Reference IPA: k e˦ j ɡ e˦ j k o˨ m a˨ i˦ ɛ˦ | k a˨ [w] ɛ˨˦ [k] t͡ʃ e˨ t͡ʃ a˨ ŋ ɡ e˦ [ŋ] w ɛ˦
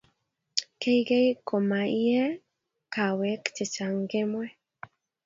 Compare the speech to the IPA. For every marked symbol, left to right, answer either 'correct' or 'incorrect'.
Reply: correct, correct, incorrect

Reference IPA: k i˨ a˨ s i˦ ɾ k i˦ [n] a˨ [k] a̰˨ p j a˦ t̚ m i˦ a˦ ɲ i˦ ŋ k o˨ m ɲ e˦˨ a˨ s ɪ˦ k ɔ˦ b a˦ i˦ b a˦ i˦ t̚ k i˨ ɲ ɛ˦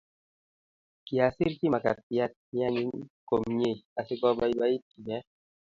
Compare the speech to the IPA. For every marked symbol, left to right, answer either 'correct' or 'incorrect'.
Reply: incorrect, correct

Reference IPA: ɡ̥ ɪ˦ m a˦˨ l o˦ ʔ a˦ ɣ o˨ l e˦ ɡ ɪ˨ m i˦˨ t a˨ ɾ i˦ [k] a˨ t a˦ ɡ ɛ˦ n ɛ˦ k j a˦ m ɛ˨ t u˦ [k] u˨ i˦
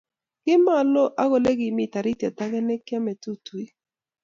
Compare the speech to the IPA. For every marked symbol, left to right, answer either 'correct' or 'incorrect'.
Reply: incorrect, incorrect

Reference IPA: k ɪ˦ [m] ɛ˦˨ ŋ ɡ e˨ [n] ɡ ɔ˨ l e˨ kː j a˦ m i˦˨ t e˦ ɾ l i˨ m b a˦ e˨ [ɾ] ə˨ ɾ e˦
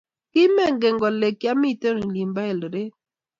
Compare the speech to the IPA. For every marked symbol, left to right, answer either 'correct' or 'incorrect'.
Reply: correct, incorrect, incorrect

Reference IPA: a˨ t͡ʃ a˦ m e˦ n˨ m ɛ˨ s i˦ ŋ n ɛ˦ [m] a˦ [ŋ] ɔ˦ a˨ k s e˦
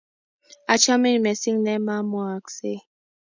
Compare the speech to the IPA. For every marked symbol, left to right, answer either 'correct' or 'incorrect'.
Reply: correct, incorrect

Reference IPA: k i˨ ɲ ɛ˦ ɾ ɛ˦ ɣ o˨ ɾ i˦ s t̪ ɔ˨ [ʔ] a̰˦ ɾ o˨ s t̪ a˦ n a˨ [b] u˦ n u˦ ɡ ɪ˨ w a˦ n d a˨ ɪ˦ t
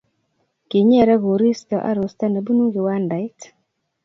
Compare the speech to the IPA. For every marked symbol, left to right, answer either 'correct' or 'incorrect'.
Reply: correct, correct

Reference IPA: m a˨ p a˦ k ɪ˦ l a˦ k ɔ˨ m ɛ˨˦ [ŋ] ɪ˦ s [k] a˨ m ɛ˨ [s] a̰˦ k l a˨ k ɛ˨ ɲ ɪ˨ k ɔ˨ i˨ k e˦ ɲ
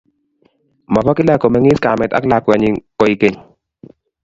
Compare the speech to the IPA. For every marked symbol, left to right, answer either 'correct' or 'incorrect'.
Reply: correct, correct, incorrect

